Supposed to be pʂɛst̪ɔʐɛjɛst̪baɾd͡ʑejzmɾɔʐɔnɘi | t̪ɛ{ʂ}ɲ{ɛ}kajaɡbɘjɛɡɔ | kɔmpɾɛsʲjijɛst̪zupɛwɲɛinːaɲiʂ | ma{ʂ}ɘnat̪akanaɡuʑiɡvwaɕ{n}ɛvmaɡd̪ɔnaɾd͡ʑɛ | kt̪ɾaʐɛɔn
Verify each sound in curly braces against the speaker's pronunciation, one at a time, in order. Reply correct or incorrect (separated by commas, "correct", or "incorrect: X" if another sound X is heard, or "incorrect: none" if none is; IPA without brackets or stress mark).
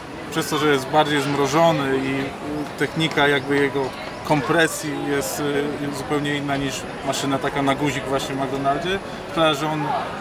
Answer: incorrect: x, incorrect: i, correct, incorrect: ɲ